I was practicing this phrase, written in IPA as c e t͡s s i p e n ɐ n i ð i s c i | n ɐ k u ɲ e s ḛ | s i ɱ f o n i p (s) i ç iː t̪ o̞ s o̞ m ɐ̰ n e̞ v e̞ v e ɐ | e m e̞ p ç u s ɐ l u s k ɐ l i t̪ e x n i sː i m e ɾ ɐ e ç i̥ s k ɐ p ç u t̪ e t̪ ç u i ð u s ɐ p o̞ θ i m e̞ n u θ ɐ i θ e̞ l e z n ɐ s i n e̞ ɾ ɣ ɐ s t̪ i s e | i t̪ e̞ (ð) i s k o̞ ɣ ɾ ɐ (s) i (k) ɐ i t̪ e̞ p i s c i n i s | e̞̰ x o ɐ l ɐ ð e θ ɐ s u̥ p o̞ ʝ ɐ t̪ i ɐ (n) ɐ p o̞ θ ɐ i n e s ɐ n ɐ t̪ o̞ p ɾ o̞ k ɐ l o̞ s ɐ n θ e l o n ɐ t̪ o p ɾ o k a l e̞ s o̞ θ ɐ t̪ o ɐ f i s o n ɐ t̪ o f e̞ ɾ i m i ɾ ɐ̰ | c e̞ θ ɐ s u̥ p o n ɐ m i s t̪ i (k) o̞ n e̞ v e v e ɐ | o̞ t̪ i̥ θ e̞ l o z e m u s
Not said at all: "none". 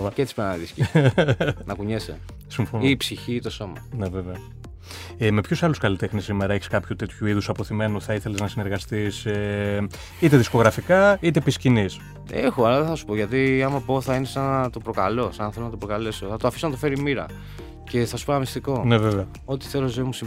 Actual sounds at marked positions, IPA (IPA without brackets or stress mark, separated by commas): s, ð, f, k, m, k